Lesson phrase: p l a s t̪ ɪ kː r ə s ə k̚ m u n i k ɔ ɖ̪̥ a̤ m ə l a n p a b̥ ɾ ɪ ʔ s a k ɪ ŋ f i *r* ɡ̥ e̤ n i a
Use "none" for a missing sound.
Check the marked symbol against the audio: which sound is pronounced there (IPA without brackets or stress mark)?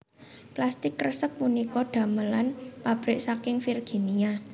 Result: r